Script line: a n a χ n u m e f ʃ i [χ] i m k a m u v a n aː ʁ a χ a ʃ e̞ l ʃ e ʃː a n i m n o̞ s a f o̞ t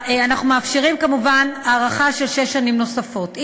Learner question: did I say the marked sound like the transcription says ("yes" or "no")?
no